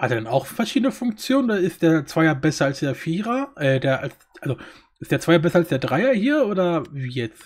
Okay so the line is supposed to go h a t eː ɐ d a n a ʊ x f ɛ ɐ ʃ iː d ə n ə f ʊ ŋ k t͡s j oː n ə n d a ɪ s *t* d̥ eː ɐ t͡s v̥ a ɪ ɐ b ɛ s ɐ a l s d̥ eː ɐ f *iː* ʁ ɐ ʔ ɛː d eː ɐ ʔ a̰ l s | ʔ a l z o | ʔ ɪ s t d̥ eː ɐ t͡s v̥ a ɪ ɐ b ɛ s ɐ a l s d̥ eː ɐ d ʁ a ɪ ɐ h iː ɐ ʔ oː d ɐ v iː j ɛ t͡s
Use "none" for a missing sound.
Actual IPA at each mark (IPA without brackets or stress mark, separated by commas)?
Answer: t, iː